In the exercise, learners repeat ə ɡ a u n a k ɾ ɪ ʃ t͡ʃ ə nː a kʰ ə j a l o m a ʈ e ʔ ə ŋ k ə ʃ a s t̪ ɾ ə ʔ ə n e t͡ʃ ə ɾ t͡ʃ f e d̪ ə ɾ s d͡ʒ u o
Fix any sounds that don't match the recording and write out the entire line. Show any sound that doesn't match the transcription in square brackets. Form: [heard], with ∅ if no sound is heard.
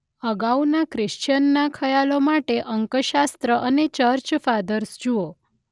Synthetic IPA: ə ɡ a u n a k ɾ ɪ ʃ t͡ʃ ə nː a kʰ ə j a l o m a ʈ e ʔ ə ŋ k ə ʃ a s t̪ ɾ ə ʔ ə n e t͡ʃ ə ɾ t͡ʃ f [a] d̪ ə ɾ s d͡ʒ u o

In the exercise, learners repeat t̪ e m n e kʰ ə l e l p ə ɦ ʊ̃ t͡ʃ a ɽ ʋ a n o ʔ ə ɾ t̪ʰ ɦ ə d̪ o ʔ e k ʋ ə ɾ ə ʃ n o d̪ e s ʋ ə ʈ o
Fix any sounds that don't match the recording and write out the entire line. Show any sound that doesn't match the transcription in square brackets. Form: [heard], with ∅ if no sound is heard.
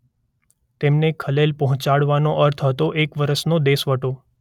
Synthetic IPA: t̪ e m n e kʰ ə l e l p ə ɦ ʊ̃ t͡ʃ a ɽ ʋ a n o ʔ ə ɾ t̪ʰ ɦ ə [t̪] o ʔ e k ʋ ə ɾ ə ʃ n o d̪ e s ʋ ə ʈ o

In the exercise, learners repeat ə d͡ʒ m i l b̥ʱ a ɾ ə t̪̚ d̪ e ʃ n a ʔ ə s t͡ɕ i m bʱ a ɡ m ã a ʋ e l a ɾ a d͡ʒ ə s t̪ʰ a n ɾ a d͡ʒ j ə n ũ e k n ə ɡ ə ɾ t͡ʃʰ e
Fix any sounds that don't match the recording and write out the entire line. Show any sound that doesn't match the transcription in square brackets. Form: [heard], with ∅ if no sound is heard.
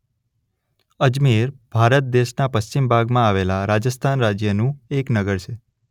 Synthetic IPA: ə d͡ʒ m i [ɾ] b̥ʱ a ɾ ə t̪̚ d̪ e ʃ n a [p] ə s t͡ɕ i m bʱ a ɡ m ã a ʋ e l a ɾ a d͡ʒ ə s t̪ʰ a n ɾ a d͡ʒ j ə n ũ e k n ə ɡ ə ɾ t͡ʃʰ e

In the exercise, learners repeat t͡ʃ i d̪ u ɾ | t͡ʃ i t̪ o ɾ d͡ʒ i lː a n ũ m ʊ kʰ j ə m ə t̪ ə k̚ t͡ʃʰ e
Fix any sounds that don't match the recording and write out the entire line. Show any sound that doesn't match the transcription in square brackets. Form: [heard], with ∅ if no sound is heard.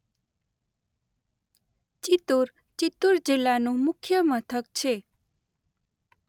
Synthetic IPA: t͡ʃ i [t̪] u ɾ | t͡ʃ i t̪ [u] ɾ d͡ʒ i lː a n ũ m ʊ kʰ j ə m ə [t̪ʰ] ə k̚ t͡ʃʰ e

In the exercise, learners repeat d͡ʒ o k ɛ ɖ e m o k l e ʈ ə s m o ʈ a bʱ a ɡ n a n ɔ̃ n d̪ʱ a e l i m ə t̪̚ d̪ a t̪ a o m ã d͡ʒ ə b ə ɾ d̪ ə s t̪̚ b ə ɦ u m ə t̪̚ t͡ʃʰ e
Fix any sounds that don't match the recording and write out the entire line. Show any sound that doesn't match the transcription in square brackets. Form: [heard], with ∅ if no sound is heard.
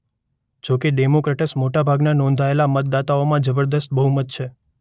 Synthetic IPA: d͡ʒ o k [e] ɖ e m o k [ɾ] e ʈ ə s m o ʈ a bʱ a ɡ n a n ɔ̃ n d̪ʱ a e l [a] m ə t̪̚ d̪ a t̪ a o m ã d͡ʒ ə b ə ɾ d̪ ə s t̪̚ b ə ɦ u m ə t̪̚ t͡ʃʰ e

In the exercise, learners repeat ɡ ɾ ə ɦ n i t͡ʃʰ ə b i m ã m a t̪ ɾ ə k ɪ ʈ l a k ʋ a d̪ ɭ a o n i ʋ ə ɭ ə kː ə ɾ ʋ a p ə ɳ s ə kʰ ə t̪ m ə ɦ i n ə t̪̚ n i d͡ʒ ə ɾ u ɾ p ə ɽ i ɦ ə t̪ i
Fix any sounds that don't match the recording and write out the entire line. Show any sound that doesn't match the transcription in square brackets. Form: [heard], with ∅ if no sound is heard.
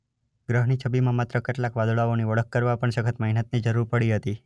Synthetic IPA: ɡ ɾ ə ɦ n i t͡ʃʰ ə b i m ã m a t̪ ɾ ə k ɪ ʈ l a k ʋ a d̪ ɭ a o n i ʋ ə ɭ ə kː ə ɾ ʋ a p ə ɳ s ə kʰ ə t̪ m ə ɦ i n ə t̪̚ n i d͡ʒ ə ɾ u ɾ p ə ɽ i ɦ ə t̪ i

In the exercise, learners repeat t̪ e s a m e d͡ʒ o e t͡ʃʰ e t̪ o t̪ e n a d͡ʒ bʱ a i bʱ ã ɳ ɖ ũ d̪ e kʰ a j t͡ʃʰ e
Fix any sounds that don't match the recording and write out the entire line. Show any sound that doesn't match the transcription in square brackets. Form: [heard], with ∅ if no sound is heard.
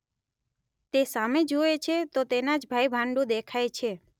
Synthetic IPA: t̪ e s a m e d͡ʒ o e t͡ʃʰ e t̪ o t̪ e n a d͡ʒ bʱ a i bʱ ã ɳ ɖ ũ d̪ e kʰ a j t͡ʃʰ e

